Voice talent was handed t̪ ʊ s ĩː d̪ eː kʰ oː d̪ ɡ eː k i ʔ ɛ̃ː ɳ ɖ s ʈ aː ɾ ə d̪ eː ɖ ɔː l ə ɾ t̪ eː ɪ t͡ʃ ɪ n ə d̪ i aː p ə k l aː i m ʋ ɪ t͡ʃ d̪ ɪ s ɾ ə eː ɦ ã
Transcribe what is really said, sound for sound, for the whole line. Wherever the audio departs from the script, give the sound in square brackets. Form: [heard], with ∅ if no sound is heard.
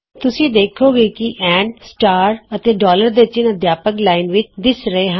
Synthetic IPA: t̪ ʊ s ĩː d̪ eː kʰ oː [∅] ɡ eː k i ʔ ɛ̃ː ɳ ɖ s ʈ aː ɾ ə [t̪] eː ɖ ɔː l ə ɾ [d̪] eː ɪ t͡ʃ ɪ n ə d̪ [j] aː p ə k l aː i [n] ʋ ɪ t͡ʃ d̪ ɪ s ɾ ə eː ɦ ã